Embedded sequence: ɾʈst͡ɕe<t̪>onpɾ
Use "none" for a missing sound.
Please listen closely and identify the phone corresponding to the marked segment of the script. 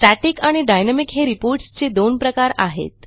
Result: d̪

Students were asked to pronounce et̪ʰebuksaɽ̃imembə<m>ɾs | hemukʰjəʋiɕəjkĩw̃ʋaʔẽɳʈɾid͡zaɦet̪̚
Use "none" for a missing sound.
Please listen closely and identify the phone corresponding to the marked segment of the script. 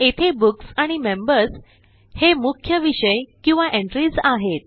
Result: none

